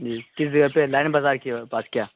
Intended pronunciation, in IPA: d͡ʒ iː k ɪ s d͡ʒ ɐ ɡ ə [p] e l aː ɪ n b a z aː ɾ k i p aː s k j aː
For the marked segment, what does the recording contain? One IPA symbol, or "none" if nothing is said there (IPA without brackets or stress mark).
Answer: p